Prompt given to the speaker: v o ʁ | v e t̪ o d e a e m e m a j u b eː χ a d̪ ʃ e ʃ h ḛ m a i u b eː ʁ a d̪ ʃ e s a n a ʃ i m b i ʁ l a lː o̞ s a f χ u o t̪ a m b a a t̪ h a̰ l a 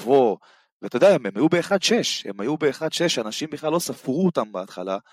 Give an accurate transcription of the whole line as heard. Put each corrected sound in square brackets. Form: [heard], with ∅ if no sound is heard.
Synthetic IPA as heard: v o [∅] | v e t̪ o d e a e m e m a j u b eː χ a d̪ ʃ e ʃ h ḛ m a [j] u b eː [χ] a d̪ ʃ e [ʃ] a n a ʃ i m b i [χ] l a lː o̞ s a f [ʁ] u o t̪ a m b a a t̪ [χ] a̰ l a